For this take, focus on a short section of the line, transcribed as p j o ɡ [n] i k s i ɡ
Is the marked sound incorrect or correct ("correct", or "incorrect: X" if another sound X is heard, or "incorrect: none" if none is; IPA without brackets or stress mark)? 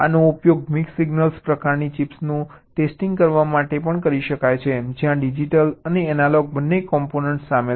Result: incorrect: m